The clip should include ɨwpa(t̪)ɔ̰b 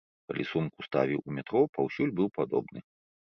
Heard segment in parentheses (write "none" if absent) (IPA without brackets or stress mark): d̪